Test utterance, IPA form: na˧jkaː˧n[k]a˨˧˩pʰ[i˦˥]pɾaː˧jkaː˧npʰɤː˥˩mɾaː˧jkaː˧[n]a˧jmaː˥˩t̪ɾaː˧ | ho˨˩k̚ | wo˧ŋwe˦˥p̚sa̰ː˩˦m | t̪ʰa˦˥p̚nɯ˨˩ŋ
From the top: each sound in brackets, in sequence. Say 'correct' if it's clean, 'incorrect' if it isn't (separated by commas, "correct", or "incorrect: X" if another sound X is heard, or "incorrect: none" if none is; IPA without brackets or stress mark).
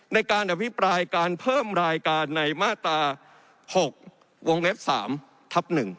incorrect: ʔ, correct, incorrect: nː